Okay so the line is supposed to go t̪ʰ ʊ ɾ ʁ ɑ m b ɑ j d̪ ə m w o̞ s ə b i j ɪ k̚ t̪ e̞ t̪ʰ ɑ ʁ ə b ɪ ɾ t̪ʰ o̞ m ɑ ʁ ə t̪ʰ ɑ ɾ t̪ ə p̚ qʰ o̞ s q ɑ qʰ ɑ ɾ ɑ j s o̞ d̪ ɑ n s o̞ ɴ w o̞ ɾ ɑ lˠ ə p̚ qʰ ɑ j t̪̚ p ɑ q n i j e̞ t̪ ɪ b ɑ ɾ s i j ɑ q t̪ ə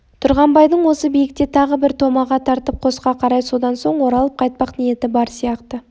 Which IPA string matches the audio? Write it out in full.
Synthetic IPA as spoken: t̪ʰ ʊ ɾ ʁ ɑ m b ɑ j d̪ ə ɴ w o̞ s ə b i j ɪ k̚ t̪ e̞ t̪ʰ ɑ ʁ ə b ɪ ɾ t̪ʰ o̞ m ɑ ʁ ɑ t̪ʰ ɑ ɾ t̪ ə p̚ qʰ o̞ s q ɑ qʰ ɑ ɾ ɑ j s o̞ d̪ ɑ n s o̞ ɴ w o̞ ɾ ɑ lˠ ə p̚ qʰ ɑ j t̪̚ p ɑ q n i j e̞ t̪ ɪ b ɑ ɾ s i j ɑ q t̪ ə